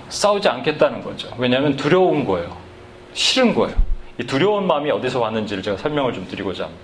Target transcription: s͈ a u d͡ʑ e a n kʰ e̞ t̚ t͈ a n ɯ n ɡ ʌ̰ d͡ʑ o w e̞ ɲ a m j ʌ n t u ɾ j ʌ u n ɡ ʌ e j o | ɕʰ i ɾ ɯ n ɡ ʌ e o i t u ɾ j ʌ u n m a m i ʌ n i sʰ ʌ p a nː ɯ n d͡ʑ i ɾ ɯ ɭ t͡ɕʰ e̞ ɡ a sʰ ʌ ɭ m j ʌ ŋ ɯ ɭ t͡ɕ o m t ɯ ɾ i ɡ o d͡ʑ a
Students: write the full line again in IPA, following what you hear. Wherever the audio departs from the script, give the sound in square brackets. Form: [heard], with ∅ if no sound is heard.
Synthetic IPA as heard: s͈ a u d͡ʑ [i] a n kʰ e̞ t̚ t͈ a n ɯ n ɡ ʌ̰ d͡ʑ o w e̞ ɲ a m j ʌ n t u ɾ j ʌ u n ɡ ʌ e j o | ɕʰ i ɾ ɯ n ɡ ʌ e o i t u ɾ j ʌ u n m a m i ʌ [d] i sʰ ʌ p a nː ɯ n d͡ʑ i ɾ ɯ ɭ [t͡ɕ] e̞ ɡ a sʰ ʌ ɭ m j ʌ ŋ ɯ ɭ t͡ɕ o m t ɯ ɾ i ɡ o d͡ʑ a